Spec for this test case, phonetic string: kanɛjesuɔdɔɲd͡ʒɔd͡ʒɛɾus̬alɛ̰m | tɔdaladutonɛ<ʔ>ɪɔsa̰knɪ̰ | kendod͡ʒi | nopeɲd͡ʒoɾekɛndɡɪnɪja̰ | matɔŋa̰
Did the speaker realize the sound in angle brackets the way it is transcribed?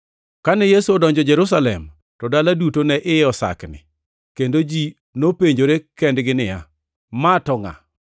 yes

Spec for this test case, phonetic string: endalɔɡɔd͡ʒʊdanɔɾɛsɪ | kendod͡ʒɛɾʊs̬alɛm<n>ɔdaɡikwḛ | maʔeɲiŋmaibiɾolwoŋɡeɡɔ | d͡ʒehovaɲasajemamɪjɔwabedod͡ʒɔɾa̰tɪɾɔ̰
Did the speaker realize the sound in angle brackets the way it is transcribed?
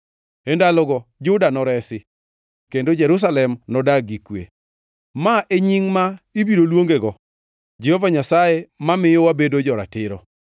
yes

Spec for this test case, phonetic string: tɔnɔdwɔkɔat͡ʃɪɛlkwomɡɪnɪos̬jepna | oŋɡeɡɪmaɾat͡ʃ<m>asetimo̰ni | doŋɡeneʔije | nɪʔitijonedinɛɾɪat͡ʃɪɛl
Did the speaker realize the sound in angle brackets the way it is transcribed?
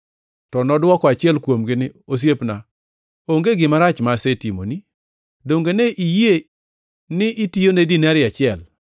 yes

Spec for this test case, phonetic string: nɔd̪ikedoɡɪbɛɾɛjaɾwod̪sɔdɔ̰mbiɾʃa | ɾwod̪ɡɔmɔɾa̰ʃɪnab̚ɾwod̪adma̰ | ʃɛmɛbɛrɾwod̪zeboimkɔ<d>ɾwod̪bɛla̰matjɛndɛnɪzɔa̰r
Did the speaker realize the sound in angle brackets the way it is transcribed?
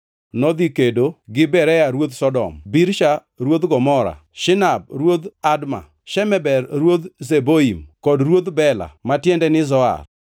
yes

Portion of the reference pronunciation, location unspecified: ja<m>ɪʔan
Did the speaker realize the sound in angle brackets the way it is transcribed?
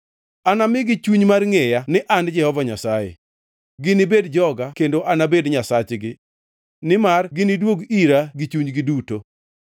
no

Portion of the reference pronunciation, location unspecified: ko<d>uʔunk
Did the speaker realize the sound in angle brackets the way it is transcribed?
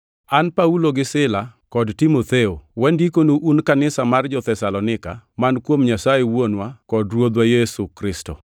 no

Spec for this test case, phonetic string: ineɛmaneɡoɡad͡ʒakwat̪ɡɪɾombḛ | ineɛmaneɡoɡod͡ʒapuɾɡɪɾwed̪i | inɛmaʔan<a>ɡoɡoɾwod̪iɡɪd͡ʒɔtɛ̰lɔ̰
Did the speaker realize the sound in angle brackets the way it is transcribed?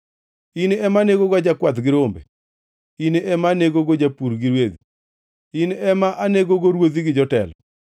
no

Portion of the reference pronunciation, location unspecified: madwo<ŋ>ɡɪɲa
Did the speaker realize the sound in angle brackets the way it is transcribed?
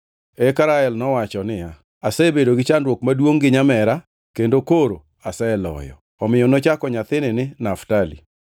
yes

